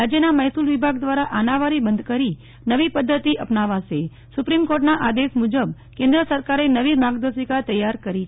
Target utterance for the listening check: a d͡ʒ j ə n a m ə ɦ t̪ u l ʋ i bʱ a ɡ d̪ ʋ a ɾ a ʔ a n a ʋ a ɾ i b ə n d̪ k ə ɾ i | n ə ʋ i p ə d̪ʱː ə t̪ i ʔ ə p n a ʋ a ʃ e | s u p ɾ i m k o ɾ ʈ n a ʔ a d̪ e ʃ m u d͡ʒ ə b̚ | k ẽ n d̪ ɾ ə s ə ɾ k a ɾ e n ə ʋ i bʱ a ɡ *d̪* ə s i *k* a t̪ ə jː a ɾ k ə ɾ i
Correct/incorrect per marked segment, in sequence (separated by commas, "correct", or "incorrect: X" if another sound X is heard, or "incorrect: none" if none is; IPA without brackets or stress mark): correct, correct